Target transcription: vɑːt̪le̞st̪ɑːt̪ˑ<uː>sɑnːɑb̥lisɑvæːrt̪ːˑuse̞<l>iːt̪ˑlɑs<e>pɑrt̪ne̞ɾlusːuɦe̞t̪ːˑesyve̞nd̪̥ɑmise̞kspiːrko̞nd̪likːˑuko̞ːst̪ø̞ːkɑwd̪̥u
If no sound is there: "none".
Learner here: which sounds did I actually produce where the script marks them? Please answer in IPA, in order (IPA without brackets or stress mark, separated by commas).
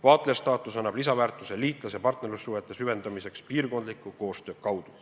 u, l, e